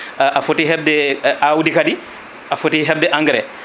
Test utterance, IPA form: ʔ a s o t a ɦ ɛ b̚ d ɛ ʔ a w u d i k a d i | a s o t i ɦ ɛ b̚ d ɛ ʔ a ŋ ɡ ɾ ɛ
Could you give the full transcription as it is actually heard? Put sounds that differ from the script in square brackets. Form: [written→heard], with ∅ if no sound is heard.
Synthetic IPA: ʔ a [s→f] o t [a→i] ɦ ɛ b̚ d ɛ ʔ a w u d i k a d i | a [s→f] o t i ɦ ɛ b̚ d ɛ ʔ a ŋ ɡ ɾ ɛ